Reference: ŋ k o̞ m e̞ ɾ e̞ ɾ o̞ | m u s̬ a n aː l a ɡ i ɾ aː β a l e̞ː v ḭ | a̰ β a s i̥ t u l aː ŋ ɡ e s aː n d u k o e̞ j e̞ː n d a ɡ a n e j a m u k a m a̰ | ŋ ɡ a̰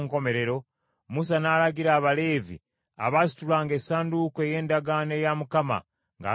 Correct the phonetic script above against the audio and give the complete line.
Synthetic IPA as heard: ŋ k o̞ m e̞ ɾ e̞ ɾ o̞ | m u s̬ a n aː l a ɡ i ɾ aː β a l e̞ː v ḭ | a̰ β a s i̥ t u l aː ŋ ɡ e s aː n d u k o e̞ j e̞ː n d a ɡ a n e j a m u k a m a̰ | ŋ ɡ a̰

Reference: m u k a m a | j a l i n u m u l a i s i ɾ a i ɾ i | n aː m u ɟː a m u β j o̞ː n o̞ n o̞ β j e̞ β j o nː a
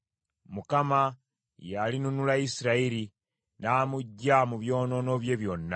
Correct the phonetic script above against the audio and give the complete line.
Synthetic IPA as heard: m u k a m a | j a l i n u n u l a i s i ɾ a i ɾ i | n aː m u ɟː a m u β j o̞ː n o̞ n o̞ β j e̞ β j o nː a

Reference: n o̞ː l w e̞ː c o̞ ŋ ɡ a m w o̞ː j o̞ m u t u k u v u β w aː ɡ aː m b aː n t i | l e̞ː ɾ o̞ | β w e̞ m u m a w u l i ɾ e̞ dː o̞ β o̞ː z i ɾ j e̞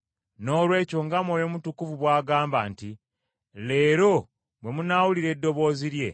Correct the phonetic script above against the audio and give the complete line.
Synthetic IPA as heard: n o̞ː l w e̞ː c o̞ ŋ ɡ a m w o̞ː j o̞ m u t u k u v u β w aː ɡ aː m b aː n t i | l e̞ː ɾ o̞ | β w e̞ m u n a w u l i ɾ e̞ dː o̞ β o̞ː z i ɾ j e̞

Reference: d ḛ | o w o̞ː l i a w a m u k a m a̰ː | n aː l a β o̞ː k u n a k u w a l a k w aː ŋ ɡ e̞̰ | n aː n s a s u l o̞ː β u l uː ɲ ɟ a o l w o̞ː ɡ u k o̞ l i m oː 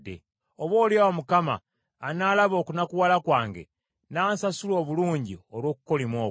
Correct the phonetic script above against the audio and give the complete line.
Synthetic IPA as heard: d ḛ | o β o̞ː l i a w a m u k a m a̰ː | n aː l a β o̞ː k u n a k u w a l a k w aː ŋ ɡ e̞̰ | n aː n s a s u l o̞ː β u l uː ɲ ɟ i o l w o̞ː k u k o̞ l i m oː

